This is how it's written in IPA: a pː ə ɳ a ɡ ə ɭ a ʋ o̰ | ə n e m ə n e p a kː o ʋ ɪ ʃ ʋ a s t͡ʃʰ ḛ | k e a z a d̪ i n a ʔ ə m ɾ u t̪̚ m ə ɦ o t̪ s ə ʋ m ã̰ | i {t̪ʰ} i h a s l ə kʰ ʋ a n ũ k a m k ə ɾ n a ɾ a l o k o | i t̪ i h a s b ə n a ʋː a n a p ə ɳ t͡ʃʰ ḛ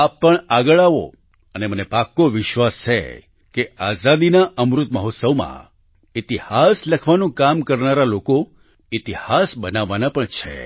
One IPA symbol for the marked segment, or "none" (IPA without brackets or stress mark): t̪